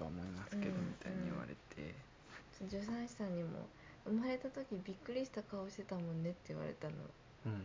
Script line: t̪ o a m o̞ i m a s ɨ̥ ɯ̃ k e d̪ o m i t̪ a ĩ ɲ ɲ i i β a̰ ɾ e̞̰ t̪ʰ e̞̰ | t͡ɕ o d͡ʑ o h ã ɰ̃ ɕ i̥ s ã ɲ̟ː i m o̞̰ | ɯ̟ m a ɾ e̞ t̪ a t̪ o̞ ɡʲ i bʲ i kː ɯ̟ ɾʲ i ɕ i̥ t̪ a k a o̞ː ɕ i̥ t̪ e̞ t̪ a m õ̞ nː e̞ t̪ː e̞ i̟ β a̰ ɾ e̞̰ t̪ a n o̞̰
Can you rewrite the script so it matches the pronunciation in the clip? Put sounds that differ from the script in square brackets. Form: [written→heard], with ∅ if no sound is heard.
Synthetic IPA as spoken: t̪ o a m o̞ i m a s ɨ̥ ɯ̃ k e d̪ o m i t̪ a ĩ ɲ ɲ i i β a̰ ɾ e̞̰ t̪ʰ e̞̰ | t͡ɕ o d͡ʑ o [h→s] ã ɰ̃ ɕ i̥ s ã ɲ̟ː i m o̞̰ | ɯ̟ m a ɾ e̞ t̪ a t̪ o̞ [ɡʲ→kʲ] i bʲ i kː ɯ̟ ɾʲ i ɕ i̥ t̪ a k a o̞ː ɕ i̥ t̪ e̞ t̪ a m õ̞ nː e̞ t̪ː e̞ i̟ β a̰ ɾ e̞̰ t̪ a n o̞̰